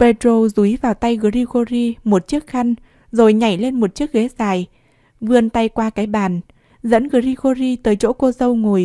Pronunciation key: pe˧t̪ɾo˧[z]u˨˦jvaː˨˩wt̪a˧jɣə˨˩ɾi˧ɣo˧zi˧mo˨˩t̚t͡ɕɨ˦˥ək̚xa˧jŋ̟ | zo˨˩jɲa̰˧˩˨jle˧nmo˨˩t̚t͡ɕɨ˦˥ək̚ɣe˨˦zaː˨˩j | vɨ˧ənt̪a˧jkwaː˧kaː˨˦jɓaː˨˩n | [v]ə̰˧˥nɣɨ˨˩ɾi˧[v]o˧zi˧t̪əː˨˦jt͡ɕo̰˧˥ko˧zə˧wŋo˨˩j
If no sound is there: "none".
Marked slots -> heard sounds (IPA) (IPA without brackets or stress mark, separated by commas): z, z, ɣ